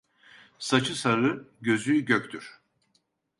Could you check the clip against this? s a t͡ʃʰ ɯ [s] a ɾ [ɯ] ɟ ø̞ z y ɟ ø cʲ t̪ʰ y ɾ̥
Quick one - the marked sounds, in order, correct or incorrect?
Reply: correct, correct

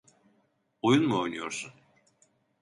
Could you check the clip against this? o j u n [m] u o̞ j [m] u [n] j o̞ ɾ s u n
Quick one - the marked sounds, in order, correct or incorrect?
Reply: correct, incorrect: n, incorrect: none

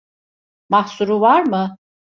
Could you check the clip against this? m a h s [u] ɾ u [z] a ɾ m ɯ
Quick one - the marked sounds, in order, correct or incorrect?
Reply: correct, incorrect: v

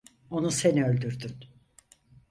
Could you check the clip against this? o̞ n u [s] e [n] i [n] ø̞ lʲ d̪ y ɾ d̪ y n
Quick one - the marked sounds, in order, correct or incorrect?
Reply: correct, correct, incorrect: none

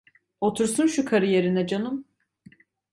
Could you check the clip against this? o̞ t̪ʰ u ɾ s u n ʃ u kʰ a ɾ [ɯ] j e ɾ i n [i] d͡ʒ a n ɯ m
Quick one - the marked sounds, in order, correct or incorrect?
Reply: correct, incorrect: ɛ

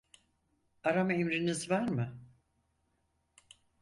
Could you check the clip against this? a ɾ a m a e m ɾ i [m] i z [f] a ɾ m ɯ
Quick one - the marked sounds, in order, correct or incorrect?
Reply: incorrect: n, incorrect: v

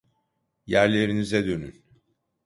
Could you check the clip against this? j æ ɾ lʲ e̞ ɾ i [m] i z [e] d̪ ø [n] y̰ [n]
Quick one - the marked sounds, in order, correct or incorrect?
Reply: incorrect: n, incorrect: ɛ, correct, correct

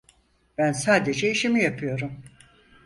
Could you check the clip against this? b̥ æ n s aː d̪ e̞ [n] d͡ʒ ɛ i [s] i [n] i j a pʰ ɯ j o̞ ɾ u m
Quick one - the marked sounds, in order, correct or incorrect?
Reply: incorrect: none, incorrect: ʃ, incorrect: m

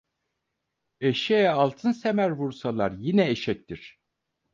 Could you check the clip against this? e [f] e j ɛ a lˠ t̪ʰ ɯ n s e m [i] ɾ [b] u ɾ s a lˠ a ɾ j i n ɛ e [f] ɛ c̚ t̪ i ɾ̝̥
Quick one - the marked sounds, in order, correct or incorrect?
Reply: incorrect: ʃ, incorrect: æ, incorrect: v, incorrect: ʃ

